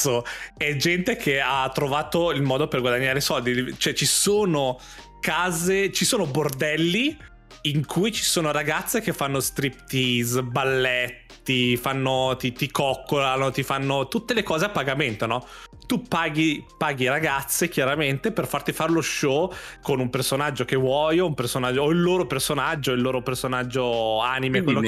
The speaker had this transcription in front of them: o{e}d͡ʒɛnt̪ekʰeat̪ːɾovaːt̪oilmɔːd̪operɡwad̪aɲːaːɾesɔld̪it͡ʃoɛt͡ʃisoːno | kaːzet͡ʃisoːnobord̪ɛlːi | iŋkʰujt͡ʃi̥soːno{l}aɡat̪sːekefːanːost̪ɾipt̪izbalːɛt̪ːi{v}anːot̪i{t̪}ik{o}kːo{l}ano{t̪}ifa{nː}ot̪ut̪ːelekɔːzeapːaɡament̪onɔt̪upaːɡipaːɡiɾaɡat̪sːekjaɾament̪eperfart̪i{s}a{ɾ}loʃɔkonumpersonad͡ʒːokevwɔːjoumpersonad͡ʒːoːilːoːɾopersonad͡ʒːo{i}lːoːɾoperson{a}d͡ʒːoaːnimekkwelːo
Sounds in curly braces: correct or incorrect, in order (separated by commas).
incorrect, incorrect, incorrect, correct, incorrect, correct, correct, correct, incorrect, correct, correct, correct